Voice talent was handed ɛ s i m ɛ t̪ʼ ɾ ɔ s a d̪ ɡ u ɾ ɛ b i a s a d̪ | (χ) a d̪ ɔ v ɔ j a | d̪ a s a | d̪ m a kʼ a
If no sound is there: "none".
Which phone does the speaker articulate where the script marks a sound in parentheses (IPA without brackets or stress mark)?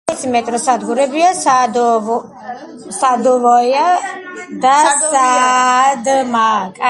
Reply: s